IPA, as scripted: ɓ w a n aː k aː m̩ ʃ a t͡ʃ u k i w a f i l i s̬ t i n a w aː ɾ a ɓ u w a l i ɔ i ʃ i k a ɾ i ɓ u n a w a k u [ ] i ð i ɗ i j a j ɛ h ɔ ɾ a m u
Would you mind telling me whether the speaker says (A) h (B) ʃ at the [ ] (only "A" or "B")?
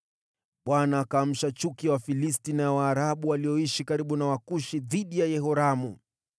B